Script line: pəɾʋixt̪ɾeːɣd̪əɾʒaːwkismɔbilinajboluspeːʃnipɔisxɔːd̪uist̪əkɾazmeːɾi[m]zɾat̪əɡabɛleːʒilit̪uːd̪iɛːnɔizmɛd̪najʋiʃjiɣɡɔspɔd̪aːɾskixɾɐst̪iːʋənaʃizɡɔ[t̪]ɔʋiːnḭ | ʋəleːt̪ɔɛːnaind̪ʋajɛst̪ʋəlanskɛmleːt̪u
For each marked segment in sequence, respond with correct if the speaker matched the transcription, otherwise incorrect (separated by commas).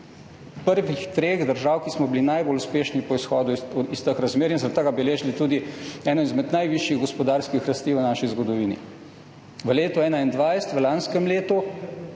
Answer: incorrect, incorrect